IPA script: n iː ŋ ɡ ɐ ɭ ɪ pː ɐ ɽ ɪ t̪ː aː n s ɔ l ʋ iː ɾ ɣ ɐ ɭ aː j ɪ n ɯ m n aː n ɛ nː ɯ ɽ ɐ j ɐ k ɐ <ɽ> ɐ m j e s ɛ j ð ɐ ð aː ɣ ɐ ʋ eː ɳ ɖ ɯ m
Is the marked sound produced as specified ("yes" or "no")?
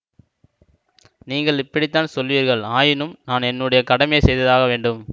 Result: yes